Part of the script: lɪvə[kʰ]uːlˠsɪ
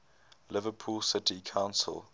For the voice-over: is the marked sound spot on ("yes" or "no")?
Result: no